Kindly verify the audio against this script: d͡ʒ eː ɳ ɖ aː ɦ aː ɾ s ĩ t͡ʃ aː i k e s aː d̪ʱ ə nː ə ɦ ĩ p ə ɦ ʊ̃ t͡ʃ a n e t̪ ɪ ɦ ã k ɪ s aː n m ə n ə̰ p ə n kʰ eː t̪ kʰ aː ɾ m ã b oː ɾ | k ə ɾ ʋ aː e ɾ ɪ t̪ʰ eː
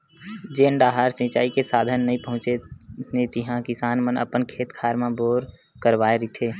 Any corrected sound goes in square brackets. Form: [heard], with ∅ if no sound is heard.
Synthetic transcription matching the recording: d͡ʒ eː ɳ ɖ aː ɦ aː ɾ s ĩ t͡ʃ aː i k e s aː d̪ʱ ə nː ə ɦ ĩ p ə ɦ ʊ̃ t͡ʃ [e] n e t̪ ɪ ɦ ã k ɪ s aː n m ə n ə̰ p ə n kʰ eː t̪ kʰ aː ɾ m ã b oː ɾ | k ə ɾ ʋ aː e ɾ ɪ t̪ʰ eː